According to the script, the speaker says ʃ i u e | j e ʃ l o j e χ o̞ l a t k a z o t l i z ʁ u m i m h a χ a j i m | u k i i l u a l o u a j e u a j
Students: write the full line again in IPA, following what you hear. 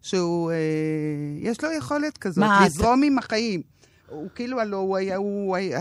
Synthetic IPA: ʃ e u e | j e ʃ l o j e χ o̞ l e t k a z o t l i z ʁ o m i m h a χ a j i m | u k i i l u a l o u a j a u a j